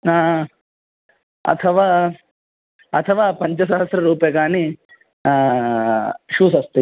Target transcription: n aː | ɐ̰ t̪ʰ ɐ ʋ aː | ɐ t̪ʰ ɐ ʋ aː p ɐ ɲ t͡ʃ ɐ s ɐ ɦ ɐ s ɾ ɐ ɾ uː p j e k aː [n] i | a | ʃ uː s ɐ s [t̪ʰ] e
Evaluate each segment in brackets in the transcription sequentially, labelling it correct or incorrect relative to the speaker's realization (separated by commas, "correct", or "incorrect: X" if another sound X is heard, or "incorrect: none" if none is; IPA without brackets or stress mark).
correct, incorrect: t̪